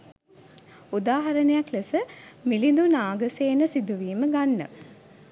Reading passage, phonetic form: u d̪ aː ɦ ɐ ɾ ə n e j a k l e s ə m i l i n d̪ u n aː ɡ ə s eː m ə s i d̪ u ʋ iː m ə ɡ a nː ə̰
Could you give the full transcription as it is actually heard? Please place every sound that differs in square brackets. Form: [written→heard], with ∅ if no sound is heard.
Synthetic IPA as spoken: u d̪ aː ɦ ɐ ɾ ə n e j a k l e s ə m i l i n d̪ u n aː ɡ ə s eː [m→n] ə s i d̪ u ʋ iː m ə ɡ a nː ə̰